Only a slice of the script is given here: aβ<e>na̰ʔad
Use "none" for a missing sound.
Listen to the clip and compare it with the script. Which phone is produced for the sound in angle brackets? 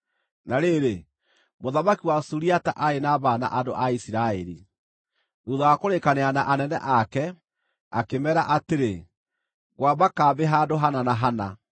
a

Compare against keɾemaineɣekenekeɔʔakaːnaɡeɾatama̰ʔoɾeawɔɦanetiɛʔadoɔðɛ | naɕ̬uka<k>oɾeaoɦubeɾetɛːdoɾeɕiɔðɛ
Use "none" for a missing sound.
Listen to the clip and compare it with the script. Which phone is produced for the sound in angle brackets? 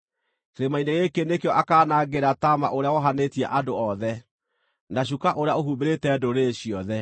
ʔ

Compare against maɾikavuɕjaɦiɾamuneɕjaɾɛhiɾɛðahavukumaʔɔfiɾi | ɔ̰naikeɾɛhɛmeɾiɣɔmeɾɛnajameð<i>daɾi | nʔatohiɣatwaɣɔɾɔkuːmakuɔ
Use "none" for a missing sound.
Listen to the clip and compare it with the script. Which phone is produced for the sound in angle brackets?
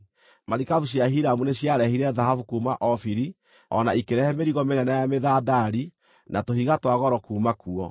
a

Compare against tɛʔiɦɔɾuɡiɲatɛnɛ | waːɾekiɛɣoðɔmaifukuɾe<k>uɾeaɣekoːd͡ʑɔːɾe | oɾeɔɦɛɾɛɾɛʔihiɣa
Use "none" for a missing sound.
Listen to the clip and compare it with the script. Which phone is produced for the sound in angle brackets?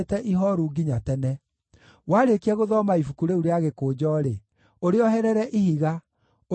none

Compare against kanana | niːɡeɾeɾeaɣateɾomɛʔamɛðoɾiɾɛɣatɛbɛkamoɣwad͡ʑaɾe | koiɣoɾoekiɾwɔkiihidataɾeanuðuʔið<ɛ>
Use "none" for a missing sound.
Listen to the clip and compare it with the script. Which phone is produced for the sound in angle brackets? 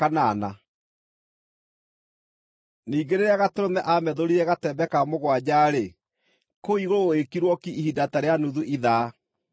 a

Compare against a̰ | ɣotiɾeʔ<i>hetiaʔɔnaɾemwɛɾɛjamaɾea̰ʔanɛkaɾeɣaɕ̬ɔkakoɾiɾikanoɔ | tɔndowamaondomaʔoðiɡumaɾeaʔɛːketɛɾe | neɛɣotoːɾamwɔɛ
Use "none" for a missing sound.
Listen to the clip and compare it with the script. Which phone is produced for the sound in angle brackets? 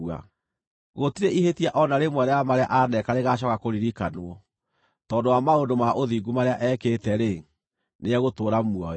i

